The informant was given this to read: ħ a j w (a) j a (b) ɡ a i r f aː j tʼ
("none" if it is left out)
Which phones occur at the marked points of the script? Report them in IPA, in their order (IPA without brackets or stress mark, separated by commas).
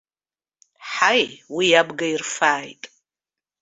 i, b